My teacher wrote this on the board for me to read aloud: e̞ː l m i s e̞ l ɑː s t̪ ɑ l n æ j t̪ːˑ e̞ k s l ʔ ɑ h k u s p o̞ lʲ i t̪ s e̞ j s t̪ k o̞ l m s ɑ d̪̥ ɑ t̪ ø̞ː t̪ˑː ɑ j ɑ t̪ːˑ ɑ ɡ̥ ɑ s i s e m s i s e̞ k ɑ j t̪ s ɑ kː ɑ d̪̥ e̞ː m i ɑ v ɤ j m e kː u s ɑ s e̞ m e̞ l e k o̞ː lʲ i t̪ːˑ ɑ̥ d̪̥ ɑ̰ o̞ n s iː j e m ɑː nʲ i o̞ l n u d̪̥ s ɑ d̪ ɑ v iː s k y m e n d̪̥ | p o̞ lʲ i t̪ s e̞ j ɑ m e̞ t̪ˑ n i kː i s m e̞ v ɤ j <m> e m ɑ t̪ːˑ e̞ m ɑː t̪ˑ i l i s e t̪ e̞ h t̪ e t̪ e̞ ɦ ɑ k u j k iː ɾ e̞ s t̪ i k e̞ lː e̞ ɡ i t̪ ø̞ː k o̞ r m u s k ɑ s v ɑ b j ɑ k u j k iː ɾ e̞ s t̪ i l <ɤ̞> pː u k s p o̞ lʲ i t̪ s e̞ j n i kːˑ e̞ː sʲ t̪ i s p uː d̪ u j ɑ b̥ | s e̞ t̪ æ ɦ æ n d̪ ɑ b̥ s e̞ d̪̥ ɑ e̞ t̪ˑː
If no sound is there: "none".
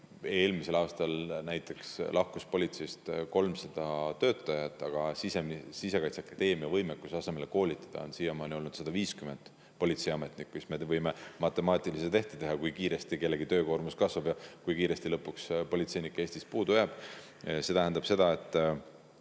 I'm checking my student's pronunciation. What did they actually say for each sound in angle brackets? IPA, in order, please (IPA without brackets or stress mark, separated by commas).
m, ɤ̞